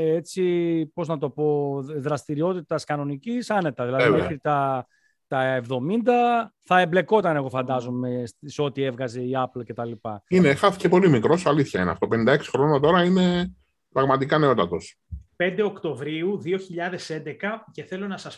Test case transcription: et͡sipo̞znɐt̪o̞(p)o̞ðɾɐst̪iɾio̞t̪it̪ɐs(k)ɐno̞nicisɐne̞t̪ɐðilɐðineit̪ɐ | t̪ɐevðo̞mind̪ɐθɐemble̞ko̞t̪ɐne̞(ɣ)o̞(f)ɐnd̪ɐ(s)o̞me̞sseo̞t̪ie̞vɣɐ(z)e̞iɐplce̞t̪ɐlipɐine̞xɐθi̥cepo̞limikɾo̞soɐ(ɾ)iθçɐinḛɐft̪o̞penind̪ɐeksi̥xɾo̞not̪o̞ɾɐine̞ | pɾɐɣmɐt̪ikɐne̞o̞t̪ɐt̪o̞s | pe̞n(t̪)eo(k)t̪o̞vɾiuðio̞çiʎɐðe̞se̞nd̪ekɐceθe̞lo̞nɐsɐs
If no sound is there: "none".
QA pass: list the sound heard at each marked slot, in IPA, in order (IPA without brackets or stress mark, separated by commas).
p, k, ɣ, f, z, z, l, d̪, k